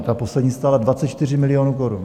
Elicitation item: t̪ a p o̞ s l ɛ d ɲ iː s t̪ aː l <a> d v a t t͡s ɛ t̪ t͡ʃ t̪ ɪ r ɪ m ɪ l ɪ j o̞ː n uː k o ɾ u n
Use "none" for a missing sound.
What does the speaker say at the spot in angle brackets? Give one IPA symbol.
a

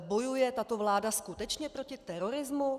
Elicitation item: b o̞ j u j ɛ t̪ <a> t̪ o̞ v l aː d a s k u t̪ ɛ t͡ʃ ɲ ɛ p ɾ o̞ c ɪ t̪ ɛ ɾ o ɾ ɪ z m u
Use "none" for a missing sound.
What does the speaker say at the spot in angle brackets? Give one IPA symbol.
a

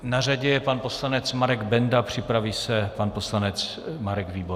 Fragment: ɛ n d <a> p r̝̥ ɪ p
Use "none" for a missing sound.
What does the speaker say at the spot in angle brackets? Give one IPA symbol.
a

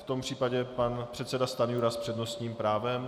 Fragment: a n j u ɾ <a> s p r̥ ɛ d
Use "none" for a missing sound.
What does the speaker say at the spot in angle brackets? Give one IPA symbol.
a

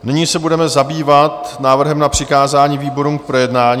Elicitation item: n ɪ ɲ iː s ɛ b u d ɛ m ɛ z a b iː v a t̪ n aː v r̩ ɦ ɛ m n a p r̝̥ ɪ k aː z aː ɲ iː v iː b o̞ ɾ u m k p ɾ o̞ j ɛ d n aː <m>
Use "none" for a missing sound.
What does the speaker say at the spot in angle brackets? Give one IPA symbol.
ɲ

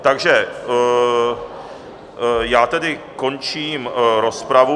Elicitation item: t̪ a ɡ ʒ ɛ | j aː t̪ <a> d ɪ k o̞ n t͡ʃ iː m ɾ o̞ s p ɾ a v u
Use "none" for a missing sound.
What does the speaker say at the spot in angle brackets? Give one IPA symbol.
ɛ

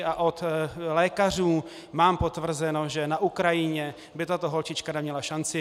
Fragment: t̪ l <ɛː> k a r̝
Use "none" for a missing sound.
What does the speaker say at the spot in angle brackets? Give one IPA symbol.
ɛː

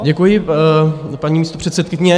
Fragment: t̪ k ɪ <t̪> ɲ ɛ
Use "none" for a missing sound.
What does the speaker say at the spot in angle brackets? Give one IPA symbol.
none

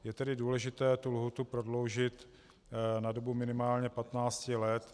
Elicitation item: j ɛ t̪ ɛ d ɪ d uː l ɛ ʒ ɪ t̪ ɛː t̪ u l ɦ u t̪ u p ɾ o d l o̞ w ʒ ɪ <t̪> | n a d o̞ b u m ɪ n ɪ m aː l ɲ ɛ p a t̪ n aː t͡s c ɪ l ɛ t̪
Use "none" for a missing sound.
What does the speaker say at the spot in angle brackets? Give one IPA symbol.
t̪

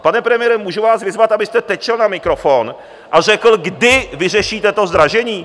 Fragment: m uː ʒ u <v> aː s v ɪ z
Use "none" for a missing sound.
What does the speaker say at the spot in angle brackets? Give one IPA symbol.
v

